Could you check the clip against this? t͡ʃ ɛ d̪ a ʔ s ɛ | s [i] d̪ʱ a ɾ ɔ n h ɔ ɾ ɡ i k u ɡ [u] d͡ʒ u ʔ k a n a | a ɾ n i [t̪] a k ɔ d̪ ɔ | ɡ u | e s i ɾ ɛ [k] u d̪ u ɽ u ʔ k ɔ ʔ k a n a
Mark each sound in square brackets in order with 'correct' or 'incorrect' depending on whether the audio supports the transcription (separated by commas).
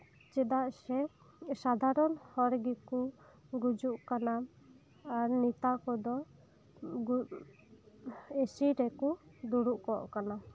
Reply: incorrect, correct, correct, correct